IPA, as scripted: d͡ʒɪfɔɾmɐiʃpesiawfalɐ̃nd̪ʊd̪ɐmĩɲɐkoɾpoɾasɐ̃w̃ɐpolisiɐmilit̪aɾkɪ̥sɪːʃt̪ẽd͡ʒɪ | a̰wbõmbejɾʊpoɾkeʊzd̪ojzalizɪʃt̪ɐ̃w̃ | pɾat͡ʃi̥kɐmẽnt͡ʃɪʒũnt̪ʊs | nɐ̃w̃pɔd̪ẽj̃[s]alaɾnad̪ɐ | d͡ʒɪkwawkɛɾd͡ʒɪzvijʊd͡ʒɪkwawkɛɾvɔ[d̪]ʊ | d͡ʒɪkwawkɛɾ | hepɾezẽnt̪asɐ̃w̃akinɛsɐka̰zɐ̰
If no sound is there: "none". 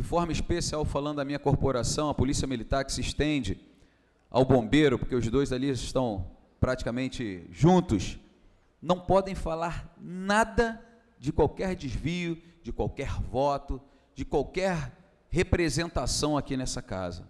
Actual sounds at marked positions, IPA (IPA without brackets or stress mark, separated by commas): f, t̪